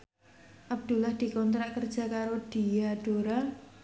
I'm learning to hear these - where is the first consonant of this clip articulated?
throat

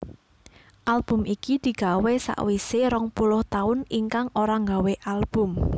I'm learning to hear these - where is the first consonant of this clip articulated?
throat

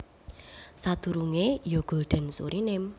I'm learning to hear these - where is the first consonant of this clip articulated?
tongue tip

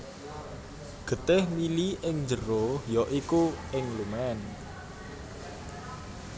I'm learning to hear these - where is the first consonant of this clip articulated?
velum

